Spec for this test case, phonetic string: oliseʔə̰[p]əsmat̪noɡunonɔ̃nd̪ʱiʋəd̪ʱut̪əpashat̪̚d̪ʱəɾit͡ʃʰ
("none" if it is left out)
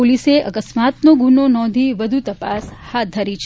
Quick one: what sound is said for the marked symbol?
k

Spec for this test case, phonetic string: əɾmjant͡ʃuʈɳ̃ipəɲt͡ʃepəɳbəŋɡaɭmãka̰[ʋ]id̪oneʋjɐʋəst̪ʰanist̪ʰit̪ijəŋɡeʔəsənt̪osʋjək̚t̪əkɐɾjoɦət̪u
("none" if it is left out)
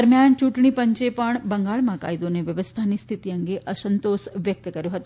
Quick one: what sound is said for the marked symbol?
none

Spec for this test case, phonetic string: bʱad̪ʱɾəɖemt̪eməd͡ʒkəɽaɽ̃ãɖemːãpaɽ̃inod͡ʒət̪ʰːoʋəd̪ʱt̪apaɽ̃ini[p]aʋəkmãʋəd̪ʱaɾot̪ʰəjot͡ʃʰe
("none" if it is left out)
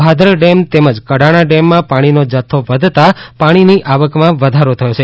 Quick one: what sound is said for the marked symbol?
ʔ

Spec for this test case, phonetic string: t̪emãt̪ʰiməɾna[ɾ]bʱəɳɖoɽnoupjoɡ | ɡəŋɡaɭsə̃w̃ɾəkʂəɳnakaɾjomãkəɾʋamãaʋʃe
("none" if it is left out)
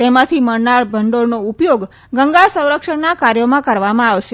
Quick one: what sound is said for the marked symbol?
ɭ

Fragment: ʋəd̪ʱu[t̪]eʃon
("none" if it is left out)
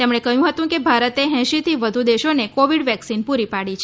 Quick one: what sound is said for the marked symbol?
d̪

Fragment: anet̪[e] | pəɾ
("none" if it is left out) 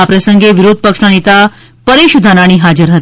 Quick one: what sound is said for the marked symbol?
a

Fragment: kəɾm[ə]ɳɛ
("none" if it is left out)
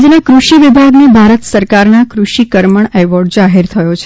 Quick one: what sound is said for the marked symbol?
ə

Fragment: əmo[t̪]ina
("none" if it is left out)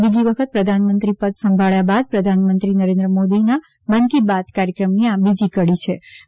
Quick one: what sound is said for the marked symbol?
d̪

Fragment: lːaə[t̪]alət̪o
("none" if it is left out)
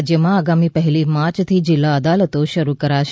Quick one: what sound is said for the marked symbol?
d̪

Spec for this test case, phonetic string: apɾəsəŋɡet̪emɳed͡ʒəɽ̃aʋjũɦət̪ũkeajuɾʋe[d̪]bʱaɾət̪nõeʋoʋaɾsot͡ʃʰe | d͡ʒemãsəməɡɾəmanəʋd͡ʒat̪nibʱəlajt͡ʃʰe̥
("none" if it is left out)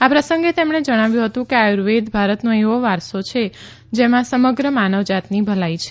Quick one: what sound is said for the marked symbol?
d̪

